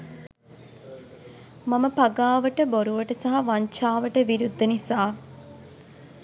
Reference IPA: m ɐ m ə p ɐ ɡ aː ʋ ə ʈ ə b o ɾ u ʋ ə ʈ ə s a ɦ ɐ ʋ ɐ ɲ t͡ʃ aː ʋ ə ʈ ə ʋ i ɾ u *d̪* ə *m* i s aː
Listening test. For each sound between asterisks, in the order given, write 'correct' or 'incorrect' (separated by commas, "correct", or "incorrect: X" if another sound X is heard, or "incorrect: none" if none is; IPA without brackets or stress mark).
incorrect: d̪ː, incorrect: n